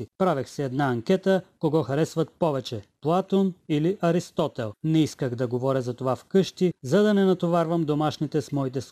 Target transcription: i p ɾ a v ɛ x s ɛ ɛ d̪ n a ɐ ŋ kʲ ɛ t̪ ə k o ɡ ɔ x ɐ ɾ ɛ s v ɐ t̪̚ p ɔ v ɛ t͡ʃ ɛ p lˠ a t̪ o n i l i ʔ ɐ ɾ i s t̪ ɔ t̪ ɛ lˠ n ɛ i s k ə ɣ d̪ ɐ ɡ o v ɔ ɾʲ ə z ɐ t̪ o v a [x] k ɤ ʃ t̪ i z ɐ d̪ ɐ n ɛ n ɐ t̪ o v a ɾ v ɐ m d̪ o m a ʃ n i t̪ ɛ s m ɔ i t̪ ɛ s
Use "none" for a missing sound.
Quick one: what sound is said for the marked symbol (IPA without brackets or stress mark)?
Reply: f